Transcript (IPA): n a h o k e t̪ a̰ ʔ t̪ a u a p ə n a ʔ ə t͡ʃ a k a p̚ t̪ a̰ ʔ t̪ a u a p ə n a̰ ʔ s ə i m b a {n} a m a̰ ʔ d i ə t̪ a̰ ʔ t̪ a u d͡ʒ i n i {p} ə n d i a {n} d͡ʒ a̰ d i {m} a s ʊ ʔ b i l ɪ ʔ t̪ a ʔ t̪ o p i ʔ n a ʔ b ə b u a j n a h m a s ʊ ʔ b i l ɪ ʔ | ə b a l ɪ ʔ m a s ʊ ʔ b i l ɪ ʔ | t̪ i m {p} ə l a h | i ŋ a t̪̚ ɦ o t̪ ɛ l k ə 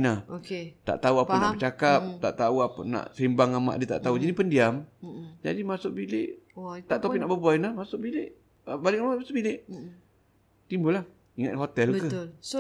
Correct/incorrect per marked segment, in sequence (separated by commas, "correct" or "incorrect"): incorrect, correct, incorrect, correct, incorrect